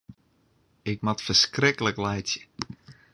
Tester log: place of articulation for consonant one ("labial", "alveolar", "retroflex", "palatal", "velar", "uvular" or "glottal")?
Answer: velar